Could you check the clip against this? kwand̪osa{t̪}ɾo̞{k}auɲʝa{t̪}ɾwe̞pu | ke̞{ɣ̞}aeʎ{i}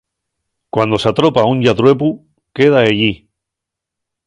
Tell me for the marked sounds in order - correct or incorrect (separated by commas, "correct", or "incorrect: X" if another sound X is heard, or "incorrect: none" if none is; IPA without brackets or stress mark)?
correct, incorrect: p, correct, incorrect: ð̞, correct